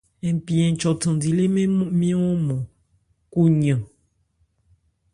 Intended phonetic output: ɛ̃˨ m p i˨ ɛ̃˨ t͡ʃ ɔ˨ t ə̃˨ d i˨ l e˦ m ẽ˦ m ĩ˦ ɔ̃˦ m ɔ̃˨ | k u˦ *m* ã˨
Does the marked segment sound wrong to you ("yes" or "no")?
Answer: yes